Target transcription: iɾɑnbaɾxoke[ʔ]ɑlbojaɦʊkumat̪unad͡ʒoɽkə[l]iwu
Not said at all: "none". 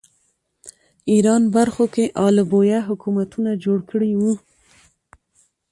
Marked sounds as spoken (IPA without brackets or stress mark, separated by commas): ʔ, ɽ